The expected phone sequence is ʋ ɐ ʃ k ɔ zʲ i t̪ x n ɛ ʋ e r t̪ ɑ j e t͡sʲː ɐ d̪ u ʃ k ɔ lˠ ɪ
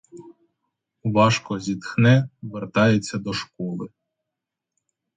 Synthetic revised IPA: ʋ ɑ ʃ k ɔ zʲ i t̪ x n ɛ ʋ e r t̪ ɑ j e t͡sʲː ɐ d̪ ɔ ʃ k ɔ lˠ ɪ